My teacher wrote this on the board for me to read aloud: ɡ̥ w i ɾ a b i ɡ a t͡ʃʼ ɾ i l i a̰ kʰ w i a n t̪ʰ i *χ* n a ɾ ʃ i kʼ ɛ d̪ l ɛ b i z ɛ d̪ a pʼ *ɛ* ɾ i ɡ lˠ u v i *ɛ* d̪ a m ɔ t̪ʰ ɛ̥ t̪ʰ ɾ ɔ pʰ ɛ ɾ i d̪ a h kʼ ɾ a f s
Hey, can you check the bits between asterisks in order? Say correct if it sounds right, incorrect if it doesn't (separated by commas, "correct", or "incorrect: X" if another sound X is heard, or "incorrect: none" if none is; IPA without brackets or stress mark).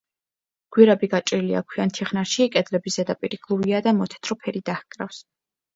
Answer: correct, incorrect: i, incorrect: a